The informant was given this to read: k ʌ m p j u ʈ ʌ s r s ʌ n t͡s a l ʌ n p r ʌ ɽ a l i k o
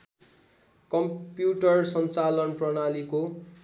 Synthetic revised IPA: k ʌ m p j u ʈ ʌ r s ʌ n t͡s a l ʌ n p r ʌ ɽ a l i k o